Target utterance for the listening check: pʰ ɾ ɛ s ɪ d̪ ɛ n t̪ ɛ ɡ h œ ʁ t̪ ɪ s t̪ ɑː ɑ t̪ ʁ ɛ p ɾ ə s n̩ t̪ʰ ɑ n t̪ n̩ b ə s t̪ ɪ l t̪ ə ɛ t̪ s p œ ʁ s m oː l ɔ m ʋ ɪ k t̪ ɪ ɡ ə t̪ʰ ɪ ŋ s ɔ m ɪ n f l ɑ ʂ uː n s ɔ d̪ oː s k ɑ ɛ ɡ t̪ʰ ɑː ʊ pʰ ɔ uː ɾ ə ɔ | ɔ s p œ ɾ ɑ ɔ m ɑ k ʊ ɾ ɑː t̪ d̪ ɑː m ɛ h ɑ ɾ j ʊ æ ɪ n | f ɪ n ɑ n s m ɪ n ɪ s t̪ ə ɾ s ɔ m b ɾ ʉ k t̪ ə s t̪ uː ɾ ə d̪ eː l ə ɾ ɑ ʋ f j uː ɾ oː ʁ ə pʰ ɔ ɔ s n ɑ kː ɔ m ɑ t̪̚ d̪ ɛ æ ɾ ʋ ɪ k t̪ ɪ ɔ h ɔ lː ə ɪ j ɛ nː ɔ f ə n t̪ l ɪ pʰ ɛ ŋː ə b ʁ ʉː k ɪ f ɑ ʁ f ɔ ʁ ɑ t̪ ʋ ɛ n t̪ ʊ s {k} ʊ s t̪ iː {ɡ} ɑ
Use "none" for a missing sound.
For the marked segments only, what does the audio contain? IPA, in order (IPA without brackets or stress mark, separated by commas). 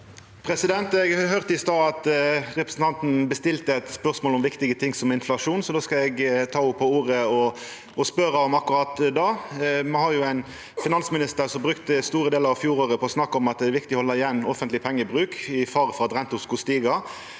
k, ɡ